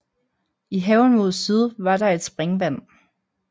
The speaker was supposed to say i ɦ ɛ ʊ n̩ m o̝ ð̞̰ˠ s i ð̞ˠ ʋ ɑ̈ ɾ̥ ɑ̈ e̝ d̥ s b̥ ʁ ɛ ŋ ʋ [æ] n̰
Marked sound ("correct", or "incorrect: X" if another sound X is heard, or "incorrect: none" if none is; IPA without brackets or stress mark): correct